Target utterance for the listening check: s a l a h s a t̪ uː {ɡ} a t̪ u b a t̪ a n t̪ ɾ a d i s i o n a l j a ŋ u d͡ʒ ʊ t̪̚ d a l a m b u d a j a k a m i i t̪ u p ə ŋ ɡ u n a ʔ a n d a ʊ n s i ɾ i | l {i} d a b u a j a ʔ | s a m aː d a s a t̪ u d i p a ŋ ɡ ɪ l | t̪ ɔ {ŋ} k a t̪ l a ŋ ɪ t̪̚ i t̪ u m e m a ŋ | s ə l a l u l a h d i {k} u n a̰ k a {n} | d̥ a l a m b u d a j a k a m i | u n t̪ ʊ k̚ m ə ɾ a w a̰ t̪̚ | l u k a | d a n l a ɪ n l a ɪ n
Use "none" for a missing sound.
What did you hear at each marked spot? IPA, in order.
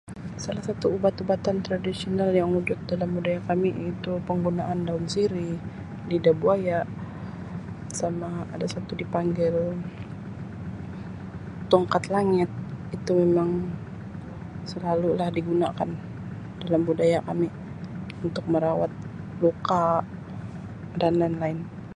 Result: b, i, ŋ, ɡ, n

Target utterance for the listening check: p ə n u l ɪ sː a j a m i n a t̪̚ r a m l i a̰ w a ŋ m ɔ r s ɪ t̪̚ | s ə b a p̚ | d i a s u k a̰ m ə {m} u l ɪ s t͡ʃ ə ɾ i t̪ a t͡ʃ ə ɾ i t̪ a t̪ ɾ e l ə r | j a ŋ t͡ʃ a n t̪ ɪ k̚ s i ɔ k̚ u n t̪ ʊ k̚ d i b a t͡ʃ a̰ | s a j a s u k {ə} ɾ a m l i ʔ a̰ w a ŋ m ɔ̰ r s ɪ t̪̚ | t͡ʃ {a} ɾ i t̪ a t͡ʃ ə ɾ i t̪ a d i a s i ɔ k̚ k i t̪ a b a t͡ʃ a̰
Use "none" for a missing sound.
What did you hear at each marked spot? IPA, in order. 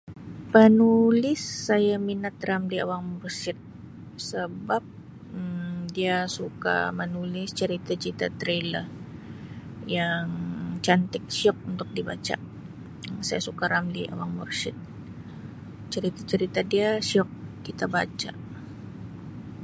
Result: n, a, ə

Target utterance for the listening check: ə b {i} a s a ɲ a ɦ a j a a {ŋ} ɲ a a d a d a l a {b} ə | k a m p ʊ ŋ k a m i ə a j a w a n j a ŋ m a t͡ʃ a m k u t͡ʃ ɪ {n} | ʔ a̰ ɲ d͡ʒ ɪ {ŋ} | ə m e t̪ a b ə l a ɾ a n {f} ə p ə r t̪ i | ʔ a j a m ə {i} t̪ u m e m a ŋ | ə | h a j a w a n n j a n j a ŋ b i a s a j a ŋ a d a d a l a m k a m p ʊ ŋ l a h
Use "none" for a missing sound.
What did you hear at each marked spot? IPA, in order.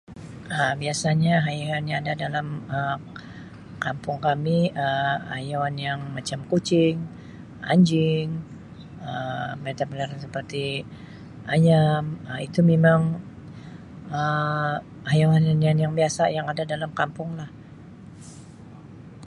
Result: i, n, m, ŋ, ŋ, s, i

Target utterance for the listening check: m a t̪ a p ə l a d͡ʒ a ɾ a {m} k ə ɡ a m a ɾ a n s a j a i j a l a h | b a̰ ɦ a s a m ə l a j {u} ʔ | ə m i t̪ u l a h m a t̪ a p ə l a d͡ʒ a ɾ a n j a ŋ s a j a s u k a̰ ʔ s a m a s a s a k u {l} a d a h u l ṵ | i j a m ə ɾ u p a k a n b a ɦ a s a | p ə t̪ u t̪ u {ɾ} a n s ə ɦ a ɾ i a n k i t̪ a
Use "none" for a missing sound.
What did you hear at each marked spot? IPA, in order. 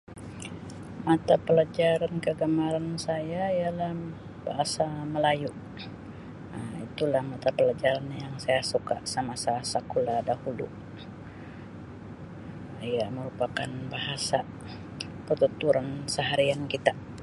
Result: n, u, l, ɾ

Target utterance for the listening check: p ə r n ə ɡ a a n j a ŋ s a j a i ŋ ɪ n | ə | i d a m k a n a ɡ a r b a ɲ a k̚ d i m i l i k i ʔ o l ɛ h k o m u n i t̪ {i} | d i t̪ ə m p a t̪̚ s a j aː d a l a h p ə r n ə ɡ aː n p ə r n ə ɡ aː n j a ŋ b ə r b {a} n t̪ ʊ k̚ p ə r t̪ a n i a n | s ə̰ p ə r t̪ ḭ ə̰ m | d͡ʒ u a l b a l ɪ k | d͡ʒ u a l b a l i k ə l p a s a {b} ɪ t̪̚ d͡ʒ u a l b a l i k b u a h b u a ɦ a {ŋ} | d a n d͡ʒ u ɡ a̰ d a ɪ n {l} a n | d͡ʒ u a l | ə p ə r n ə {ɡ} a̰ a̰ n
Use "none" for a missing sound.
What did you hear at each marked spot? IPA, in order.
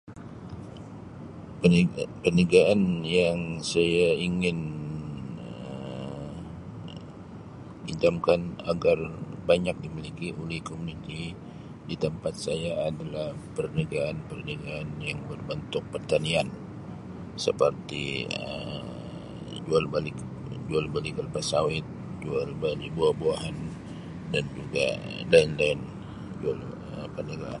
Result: i, ə, w, n, l, ɡ

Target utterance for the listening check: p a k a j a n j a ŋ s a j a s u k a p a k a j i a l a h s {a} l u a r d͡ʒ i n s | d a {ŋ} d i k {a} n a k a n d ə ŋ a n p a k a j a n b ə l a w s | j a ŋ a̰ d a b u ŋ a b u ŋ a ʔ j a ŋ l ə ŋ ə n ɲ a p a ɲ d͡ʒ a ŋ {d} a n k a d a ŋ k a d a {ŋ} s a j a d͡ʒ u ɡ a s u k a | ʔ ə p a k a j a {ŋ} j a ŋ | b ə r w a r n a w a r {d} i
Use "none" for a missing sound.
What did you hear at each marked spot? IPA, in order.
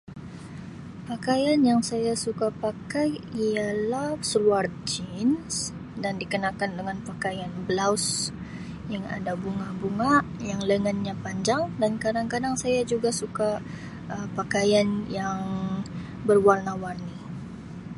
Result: ə, n, ə, d, ŋ, n, n

